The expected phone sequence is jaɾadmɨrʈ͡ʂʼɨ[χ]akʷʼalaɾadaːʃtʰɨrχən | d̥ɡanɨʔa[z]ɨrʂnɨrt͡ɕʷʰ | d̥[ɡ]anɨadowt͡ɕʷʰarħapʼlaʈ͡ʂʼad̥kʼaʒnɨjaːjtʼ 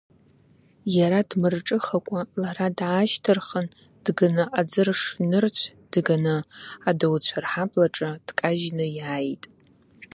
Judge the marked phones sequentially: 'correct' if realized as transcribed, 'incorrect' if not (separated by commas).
correct, incorrect, correct